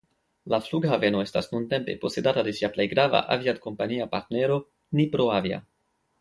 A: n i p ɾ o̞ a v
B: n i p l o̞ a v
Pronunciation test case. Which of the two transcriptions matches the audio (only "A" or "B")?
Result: A